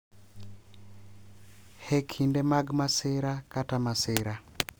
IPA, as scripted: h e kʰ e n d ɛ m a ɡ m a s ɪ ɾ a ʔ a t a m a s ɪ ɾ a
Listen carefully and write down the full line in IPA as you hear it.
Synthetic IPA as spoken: h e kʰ i n d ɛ m a ɡ m a s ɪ ɾ a k a t a m a s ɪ ɾ a

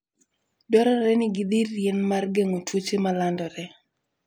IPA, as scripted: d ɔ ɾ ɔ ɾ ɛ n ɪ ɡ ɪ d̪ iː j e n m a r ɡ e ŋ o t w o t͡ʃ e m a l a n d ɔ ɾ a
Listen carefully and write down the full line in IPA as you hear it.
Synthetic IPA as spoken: d ɔ ɾ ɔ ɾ ɛ n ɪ ɡ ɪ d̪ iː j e n m a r ɡ e ŋ o t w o t͡ʃ e m a l a n d ɔ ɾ ɛ

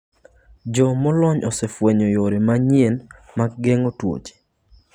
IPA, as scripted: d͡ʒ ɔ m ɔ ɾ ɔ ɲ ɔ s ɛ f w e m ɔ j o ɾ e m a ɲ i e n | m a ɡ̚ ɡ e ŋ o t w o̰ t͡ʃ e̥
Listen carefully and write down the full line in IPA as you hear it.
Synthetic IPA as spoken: d͡ʒ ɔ m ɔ l ɔ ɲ ɔ s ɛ f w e ɲ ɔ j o ɾ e m a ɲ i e n | m a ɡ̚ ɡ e ŋ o t w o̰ t͡ʃ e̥

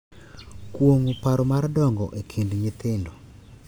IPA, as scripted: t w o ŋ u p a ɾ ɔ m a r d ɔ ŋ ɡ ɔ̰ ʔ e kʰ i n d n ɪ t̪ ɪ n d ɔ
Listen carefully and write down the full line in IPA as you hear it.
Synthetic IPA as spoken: k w o ŋ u p a ɾ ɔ m a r d ɔ ŋ ɡ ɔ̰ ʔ e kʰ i n d ɲ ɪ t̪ ɪ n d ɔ

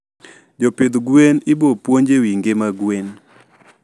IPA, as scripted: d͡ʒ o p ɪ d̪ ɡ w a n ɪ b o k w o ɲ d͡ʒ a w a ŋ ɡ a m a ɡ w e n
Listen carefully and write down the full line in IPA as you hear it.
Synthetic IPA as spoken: d͡ʒ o p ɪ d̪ ɡ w e n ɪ b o p w o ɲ d͡ʒ e w i ŋ ɡ e m a ɡ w e n

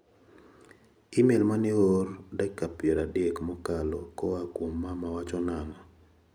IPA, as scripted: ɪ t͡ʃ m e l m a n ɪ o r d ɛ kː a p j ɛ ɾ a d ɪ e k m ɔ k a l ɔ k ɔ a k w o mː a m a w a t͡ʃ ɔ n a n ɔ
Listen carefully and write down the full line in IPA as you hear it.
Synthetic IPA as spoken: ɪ m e l m a n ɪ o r d ɛ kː a p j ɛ ɾ a d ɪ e k m ɔ k a l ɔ k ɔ a k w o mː a m a w a t͡ʃ ɔ n a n ɔ

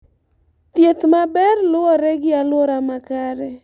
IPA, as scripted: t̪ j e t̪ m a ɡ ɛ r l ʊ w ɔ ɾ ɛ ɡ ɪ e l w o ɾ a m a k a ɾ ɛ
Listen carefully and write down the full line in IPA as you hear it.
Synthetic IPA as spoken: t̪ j e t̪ m a b ɛ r l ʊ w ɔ ɾ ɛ ɡ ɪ a l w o ɾ a m a k a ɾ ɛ

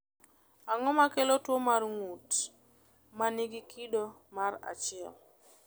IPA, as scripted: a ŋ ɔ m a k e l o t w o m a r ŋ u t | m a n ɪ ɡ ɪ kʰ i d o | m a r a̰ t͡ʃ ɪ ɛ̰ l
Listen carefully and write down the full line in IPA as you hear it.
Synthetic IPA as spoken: a ŋ ɔ m a k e l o t w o m a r ŋ u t | m a n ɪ ɡ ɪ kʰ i d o | m a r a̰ t͡ʃ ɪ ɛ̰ l

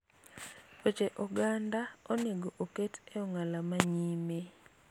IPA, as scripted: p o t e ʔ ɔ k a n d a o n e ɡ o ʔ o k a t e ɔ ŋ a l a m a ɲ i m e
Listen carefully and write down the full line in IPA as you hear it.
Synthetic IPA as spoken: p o t͡ʃ e ʔ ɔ ɡ a n d a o n e ɡ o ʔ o k e t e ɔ ŋ a l a m a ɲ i m e

